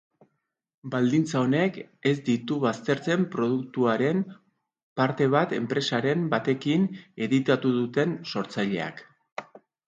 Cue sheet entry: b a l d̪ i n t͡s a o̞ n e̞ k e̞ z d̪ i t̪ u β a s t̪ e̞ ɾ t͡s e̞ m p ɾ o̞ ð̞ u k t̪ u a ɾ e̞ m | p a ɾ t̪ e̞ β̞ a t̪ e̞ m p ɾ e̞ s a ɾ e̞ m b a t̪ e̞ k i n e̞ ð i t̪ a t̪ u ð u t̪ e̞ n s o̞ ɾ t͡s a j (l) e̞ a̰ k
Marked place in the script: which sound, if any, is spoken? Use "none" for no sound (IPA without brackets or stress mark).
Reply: ʎ